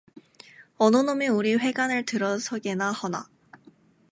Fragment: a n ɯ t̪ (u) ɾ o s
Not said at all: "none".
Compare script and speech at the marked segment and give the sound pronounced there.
ɯ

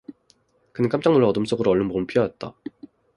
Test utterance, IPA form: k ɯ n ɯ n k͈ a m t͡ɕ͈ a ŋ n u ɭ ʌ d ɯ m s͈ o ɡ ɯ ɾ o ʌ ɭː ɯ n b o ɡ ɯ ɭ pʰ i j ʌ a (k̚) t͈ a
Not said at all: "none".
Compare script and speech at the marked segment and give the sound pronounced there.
t̚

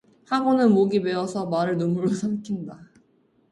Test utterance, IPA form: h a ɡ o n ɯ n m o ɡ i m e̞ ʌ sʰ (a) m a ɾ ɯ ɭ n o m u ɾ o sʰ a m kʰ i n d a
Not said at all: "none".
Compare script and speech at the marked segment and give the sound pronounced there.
ʌ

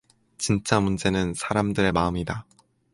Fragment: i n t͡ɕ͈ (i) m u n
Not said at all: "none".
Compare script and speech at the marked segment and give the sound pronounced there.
a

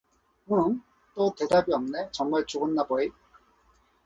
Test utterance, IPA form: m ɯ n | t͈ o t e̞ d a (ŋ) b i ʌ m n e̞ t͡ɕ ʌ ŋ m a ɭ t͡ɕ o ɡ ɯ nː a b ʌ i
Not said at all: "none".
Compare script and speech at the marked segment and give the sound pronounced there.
none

